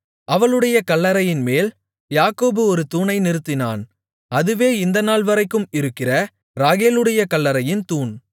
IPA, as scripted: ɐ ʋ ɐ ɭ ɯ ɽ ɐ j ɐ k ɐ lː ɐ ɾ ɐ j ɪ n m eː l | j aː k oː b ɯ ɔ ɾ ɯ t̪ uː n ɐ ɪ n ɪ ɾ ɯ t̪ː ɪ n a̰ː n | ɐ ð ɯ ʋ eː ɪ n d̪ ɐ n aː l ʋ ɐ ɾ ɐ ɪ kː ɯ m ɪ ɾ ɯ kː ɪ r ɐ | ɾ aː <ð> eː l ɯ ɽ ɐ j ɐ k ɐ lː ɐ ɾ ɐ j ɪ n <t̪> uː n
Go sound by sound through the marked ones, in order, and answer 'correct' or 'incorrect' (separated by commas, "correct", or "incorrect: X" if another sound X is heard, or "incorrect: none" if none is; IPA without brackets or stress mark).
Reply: incorrect: ɣ, correct